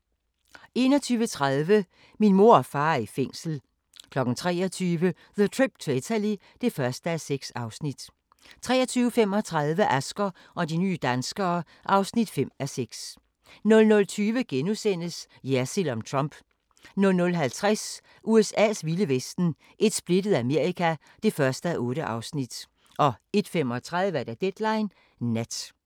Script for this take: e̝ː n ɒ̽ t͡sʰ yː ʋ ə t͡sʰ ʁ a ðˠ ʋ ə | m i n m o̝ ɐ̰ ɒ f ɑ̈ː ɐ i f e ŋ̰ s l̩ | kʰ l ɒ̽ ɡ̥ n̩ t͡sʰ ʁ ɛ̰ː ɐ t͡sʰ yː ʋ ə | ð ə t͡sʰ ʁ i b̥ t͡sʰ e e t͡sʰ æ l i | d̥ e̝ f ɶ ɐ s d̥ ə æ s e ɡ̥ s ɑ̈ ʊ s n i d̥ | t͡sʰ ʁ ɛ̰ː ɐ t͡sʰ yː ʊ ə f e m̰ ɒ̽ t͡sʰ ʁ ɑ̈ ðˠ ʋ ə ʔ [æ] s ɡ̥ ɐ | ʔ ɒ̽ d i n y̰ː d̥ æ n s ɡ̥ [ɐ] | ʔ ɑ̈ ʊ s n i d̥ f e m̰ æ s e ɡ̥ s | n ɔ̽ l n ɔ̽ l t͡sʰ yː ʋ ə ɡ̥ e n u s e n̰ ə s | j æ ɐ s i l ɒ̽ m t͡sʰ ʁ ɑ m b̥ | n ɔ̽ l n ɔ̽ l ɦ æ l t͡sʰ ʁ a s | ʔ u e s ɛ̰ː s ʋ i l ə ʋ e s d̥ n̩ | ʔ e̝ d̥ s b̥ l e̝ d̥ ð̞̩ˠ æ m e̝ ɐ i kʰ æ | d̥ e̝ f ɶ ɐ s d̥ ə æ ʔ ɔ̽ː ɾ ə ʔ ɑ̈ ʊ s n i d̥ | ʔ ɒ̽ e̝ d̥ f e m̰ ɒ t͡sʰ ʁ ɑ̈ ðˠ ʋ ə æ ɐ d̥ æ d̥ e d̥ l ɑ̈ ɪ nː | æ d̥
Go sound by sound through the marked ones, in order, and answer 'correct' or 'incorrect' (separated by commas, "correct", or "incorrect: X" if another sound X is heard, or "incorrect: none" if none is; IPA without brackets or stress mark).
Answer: correct, incorrect: ɐː